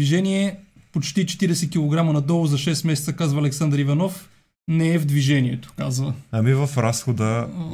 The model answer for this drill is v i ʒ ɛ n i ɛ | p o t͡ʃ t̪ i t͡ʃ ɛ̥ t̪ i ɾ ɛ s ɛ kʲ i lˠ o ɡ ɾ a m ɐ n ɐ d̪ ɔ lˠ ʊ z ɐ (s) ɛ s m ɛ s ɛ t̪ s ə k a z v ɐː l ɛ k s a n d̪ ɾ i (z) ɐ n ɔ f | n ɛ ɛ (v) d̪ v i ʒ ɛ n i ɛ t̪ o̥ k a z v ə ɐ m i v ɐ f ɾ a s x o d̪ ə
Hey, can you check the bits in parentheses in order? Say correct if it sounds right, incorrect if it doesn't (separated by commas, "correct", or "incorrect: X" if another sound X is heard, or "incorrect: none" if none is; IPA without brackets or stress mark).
incorrect: ʃ, incorrect: v, correct